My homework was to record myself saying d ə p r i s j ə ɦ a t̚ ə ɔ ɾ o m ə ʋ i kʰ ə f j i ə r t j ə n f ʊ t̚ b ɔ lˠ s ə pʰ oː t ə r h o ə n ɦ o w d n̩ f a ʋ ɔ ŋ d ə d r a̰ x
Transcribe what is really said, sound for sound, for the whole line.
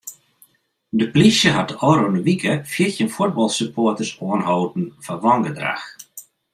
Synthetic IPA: d ə p l i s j ə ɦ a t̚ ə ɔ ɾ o n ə ʋ i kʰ ə f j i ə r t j ə n f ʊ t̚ b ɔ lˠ s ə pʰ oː t ə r s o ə n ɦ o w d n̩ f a ʋ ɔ ŋ ɡ ə d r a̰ x